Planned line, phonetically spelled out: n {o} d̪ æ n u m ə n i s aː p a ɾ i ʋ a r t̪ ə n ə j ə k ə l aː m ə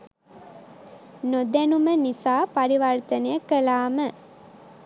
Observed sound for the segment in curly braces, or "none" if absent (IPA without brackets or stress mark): o